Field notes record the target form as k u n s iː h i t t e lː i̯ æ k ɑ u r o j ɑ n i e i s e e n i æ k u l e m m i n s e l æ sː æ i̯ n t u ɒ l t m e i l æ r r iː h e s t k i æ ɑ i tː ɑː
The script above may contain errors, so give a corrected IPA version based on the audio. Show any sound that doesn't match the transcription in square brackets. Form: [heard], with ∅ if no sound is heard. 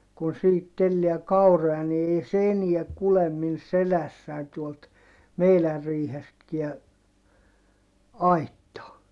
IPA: k u n s iː h i t t e lː i̯ æ k ɑ u r o j ɑ n i e i s e e n i æ k u l e m m i n s e l æ sː æ i̯ n t u [o] l t m e i l æ r r iː h e s t k i æ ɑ i tː ɑː